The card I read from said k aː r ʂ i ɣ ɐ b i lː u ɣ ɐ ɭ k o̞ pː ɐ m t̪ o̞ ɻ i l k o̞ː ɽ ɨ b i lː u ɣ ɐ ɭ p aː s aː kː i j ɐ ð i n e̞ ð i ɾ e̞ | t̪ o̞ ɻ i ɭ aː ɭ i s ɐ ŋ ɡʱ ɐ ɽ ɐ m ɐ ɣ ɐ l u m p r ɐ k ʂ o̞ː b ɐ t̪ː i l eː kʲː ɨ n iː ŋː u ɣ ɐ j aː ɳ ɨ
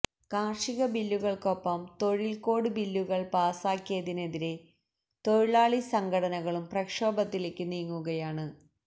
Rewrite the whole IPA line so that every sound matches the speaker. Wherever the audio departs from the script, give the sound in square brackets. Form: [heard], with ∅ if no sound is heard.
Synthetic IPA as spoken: k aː r ʂ i ɣ ɐ b i lː u ɣ ɐ ɭ k o̞ pː ɐ m t̪ o̞ ɻ i l k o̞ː ɽ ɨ b i lː u ɣ ɐ ɭ p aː s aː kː i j ɐ ð i n e̞ ð i ɾ e̞ | t̪ o̞ ɻ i ɭ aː ɭ i s ɐ ŋ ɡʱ ɐ ɽ ɐ [n] ɐ ɣ ɐ [ɭ] u m p r ɐ k ʂ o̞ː b ɐ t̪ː i l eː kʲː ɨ n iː ŋː u ɣ ɐ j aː ɳ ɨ